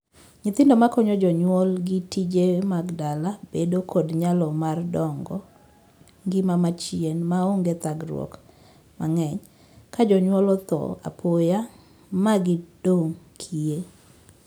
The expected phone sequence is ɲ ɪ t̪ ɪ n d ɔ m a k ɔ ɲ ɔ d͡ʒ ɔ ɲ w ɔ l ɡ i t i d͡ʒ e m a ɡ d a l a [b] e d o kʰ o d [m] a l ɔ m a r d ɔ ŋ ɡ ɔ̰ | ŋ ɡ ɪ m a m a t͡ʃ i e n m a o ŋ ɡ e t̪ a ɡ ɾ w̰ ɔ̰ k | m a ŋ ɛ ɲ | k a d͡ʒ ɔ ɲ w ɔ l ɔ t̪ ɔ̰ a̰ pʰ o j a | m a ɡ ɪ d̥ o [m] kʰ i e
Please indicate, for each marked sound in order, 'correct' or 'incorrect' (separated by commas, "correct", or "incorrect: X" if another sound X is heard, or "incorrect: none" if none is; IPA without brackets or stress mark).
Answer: correct, incorrect: ɲ, incorrect: ŋ